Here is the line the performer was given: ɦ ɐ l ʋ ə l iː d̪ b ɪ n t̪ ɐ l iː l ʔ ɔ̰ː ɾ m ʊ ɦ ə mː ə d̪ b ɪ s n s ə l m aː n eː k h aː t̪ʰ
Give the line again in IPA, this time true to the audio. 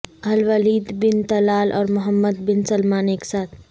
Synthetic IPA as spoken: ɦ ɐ l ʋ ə l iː d̪ b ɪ n t̪ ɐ l aː l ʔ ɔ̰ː ɾ m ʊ ɦ ə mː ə d̪ b ɪ n s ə l m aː n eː k s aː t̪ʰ